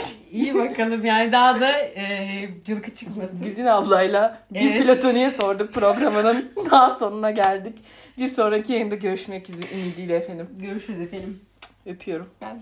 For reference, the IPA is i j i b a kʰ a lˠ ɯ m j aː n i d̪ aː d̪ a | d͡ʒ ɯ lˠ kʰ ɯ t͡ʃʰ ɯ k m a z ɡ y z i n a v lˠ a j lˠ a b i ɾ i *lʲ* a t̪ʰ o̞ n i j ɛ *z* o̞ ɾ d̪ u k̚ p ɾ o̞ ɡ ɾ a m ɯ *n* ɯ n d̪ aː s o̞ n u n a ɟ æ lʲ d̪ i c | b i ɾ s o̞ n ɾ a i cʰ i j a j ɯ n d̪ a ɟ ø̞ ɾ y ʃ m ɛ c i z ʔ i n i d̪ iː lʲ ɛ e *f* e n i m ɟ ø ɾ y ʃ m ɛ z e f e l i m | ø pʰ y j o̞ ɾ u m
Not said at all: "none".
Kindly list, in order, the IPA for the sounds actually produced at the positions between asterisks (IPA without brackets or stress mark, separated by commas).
lʲ, s, n, f